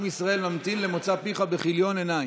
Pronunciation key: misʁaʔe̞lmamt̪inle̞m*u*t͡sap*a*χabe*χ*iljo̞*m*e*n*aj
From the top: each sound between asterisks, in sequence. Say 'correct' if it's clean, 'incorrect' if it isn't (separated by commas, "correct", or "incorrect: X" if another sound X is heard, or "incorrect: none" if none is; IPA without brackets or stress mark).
incorrect: o, incorrect: i, correct, incorrect: n, correct